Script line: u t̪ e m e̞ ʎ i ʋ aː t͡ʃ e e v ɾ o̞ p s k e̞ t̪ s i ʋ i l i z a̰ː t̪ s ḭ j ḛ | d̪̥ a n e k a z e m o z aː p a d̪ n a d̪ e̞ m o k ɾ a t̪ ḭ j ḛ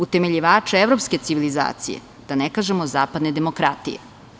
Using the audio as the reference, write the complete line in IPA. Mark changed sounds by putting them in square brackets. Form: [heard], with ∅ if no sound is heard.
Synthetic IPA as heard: u t̪ e m e̞ ʎ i ʋ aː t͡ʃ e e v ɾ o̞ p s k e̞ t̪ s i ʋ i l i z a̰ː t̪ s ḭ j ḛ | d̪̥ a n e k a [ʒ] e m o z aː p a d̪ n [e] d̪ e̞ m o k ɾ a t̪ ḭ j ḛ